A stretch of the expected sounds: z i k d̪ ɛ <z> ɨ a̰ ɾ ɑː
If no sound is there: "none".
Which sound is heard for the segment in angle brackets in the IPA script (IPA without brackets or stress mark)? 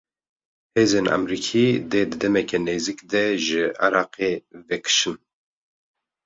ʒ